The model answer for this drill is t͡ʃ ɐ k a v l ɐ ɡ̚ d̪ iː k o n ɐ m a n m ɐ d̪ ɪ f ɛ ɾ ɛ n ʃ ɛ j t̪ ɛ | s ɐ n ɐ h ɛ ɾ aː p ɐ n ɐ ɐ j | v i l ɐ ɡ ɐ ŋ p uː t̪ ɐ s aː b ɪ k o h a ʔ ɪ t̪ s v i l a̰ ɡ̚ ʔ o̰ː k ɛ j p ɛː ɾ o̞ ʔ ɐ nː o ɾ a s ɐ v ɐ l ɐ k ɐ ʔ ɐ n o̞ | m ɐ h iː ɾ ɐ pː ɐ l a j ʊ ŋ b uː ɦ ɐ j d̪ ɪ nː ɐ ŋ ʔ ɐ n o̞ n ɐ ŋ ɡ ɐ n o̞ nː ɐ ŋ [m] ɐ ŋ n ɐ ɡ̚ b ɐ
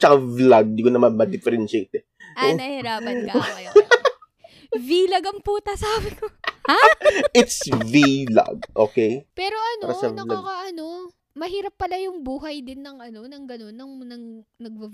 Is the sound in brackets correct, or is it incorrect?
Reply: incorrect